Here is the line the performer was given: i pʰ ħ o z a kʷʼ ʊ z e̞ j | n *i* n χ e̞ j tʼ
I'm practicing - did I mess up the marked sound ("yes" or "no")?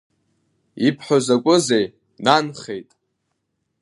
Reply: yes